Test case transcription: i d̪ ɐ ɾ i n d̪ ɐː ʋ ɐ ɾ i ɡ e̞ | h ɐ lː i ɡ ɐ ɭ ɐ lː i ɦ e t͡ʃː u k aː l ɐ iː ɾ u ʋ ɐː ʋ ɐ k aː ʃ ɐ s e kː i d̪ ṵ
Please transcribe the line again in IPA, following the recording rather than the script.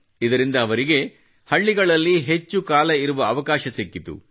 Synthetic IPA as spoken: i d̪ ɐ ɾ i n d̪ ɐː ʋ ɐ ɾ i ɡ e̞ | h ɐ ɭː i ɡ ɐ ɭ ɐ lː i ɦ e t͡ʃː u k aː l ɐ i ɾ u ʋ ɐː ʋ ɐ k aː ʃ ɐ s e kː i t̪ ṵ